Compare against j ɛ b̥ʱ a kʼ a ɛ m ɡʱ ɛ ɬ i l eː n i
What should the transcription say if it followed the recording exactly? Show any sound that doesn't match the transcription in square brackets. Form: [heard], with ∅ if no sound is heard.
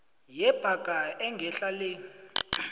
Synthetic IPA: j ɛ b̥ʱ a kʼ a ɛ [ŋ] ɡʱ ɛ ɬ [a] l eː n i